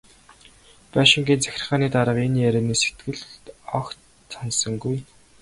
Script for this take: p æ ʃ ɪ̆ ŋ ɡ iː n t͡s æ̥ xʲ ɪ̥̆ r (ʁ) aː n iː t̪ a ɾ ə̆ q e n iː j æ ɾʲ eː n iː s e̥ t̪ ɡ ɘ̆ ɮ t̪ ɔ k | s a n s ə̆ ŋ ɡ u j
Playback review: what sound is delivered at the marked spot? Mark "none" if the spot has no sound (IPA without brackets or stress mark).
χ